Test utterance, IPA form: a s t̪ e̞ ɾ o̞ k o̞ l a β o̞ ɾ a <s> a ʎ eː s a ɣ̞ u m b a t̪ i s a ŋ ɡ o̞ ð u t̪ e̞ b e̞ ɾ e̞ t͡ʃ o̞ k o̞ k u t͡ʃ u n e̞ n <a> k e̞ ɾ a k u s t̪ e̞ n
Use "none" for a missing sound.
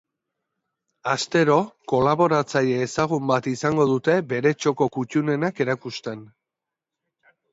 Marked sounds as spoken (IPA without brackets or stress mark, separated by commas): t͡s, a